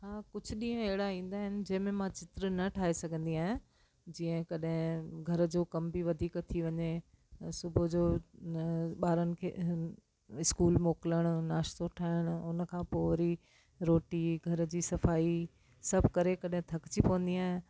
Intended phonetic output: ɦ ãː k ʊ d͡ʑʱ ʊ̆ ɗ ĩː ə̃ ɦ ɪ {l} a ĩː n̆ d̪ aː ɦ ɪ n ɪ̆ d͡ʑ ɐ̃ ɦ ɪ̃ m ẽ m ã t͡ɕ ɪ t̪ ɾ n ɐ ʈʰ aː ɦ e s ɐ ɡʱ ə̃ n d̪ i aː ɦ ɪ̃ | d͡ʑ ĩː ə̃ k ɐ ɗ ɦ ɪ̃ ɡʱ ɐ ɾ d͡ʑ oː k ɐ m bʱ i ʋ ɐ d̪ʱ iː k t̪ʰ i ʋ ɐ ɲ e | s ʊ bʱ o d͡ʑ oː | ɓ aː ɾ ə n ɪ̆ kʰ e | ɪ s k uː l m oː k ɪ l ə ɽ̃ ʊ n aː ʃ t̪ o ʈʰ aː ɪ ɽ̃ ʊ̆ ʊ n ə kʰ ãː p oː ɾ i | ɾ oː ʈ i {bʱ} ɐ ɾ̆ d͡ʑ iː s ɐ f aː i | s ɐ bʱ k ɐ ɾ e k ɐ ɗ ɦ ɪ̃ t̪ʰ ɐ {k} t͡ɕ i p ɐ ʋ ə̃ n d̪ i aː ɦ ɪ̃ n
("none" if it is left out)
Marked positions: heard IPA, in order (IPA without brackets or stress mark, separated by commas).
ɽ, ɡʱ, k